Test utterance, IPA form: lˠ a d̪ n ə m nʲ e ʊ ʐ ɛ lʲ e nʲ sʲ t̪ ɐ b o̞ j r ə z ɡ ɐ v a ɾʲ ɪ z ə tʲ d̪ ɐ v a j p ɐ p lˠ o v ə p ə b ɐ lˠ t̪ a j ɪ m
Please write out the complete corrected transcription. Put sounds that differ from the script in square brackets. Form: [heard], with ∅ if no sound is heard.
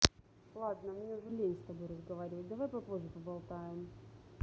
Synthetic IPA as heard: lˠ a d̪ n ə m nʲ e ʊ ʐ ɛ lʲ e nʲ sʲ t̪ ɐ b o̞ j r ə z ɡ ɐ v a ɾʲ ɪ [v] ə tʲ d̪ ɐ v a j p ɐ p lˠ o [ʐ] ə p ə b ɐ lˠ t̪ a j ɪ m